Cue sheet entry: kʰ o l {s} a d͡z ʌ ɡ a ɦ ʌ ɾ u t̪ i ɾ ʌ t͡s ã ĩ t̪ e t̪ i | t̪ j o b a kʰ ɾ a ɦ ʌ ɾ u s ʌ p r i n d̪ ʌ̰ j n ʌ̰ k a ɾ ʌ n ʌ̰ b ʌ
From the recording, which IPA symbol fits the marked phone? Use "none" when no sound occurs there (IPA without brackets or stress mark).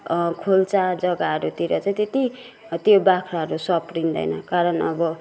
t͡s